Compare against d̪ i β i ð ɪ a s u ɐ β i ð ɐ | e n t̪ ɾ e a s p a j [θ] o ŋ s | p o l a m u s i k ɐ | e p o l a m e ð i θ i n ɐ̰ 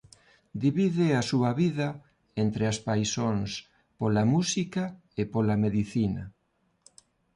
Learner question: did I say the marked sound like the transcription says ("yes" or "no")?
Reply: no